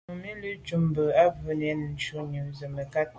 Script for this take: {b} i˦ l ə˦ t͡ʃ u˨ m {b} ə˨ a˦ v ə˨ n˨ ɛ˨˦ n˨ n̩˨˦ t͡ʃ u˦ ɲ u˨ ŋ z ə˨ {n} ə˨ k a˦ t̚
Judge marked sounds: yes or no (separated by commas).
no, yes, no